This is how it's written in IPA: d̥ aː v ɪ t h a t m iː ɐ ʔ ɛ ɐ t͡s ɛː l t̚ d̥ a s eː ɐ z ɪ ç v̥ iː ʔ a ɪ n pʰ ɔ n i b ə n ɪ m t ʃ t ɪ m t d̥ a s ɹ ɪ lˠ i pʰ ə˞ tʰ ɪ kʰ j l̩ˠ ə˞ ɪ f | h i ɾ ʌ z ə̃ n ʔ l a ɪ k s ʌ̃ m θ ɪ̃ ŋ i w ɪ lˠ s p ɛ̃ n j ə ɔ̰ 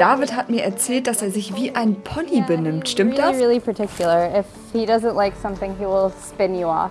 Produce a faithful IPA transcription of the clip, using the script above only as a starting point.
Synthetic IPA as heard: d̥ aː v ɪ t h a t m iː ɐ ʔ ɛ ɐ t͡s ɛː l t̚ d̥ a s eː ɐ z ɪ ç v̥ iː ʔ a ɪ n pʰ ɔ n i b ə n ɪ m t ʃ t ɪ m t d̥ a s ɹ ɪ lˠ i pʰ ə˞ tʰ ɪ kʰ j l̩ˠ ə˞ ɪ f | h i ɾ ʌ z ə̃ n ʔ l a ɪ k s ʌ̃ m θ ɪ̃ ŋ i w ɪ lˠ s p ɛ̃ n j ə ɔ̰